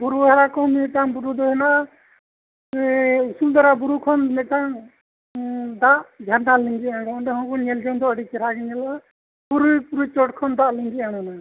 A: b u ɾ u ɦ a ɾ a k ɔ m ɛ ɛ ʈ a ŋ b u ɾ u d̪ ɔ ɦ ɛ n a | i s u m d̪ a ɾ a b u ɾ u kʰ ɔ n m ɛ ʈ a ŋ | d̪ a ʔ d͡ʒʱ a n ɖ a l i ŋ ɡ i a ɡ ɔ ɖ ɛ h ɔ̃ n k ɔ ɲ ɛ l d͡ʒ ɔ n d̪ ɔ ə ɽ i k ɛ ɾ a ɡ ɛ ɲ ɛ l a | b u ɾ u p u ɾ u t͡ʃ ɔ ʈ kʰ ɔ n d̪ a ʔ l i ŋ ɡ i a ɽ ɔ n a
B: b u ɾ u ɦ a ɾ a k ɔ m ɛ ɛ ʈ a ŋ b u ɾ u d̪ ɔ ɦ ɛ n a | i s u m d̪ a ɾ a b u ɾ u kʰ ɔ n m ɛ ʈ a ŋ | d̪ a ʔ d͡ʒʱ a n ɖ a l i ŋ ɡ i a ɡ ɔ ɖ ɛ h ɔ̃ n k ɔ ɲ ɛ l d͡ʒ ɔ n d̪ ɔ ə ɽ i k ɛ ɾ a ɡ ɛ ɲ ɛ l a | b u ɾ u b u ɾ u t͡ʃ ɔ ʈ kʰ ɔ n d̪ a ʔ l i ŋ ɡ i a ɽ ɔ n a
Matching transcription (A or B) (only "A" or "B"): A